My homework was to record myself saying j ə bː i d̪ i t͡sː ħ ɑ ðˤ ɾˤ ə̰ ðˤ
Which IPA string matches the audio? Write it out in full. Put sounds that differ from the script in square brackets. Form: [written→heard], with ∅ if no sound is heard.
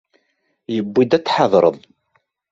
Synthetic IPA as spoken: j ə bː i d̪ [i→æ] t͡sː ħ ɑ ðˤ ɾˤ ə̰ ðˤ